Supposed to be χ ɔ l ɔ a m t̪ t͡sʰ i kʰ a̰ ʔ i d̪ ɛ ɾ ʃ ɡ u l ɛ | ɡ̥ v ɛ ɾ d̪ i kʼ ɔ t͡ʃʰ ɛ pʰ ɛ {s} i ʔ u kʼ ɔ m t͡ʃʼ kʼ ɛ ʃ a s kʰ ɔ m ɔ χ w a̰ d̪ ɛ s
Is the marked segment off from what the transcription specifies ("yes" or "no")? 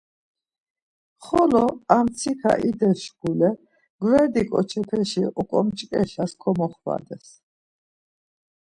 yes